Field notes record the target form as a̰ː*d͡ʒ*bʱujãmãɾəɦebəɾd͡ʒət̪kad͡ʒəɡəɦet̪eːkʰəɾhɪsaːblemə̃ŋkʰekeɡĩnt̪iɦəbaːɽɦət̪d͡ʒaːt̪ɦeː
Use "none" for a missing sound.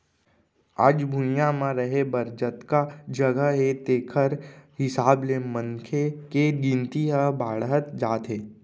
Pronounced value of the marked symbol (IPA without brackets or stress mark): d͡ʒ